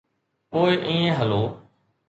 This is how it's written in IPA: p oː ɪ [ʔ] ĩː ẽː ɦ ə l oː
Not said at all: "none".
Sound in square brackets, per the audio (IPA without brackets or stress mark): ʔ